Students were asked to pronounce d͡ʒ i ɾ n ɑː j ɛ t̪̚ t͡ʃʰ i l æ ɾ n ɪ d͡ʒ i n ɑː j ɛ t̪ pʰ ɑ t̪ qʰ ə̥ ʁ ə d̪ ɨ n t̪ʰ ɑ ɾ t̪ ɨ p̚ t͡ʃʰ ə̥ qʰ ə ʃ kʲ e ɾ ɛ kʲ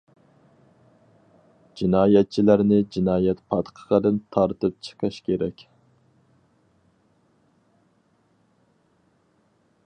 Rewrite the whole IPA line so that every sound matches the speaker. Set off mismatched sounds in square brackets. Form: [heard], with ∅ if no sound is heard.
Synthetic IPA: d͡ʒ i [∅] n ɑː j ɛ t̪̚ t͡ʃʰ i l æ ɾ n ɪ d͡ʒ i n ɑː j ɛ t̪ pʰ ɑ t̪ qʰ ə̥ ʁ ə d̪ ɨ n t̪ʰ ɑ ɾ t̪ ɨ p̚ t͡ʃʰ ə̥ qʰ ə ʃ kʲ e ɾ ɛ kʲ